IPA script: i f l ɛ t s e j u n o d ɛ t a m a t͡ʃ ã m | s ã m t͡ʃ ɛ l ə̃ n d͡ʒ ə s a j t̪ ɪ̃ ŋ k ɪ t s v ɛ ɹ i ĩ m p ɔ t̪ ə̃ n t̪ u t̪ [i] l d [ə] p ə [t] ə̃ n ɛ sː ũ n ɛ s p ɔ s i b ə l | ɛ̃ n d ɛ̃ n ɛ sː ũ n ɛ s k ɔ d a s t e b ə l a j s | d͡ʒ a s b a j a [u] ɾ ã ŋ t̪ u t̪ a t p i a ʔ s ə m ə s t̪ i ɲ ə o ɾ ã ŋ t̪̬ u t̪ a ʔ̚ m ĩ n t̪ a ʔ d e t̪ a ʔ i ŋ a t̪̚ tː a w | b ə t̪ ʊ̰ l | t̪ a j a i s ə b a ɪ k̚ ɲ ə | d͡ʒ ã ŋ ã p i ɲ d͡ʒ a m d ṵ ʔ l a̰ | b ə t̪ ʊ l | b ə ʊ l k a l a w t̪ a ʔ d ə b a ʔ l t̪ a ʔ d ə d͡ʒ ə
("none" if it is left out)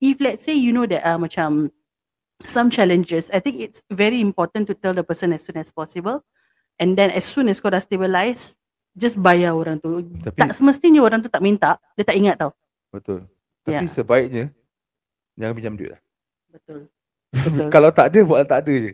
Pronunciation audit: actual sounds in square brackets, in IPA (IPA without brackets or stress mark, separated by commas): ɛ, ə, s, o